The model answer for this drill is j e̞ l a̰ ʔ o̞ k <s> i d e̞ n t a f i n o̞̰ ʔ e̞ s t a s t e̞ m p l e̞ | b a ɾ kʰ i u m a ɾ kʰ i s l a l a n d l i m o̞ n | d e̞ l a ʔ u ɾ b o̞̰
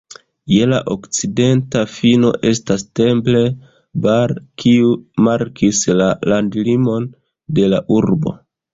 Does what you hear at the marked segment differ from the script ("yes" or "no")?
yes